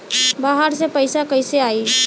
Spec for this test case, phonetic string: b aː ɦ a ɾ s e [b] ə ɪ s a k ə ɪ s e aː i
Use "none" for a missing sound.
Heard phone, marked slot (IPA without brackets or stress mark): p